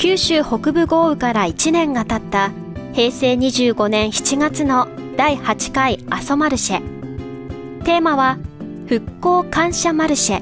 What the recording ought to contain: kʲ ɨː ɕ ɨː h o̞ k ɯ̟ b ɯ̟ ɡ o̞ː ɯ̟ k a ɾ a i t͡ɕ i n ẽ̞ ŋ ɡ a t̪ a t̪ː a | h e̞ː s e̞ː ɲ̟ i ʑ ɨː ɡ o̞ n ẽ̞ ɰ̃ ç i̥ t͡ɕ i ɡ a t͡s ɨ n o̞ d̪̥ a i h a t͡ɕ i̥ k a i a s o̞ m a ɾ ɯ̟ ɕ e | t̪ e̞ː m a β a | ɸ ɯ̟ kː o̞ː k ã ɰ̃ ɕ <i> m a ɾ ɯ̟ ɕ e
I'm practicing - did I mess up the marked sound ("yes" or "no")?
yes